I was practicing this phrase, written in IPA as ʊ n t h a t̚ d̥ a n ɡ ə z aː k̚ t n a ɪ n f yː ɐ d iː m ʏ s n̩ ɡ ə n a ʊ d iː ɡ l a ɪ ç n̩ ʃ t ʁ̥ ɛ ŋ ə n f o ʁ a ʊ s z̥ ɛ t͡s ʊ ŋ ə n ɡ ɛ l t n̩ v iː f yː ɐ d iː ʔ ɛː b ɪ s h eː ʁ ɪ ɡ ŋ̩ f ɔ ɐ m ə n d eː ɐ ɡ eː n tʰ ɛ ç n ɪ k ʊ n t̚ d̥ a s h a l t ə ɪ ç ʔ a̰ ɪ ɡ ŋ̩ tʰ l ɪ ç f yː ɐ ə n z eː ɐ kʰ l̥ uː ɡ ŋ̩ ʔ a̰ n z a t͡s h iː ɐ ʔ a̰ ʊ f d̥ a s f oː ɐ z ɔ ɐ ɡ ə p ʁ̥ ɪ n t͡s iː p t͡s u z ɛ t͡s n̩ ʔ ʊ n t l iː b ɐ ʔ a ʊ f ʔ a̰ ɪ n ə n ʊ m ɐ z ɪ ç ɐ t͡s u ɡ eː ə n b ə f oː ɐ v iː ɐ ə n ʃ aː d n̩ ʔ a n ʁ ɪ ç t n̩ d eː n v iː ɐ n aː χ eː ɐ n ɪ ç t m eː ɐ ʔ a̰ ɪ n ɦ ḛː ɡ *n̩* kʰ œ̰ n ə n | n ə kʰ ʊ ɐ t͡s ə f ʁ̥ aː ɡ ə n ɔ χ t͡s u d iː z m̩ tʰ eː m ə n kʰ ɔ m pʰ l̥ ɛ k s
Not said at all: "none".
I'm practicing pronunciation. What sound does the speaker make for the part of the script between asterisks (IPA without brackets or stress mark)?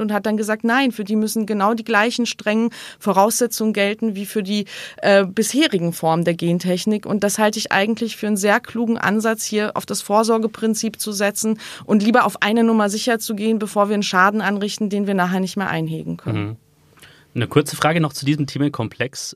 ŋ̩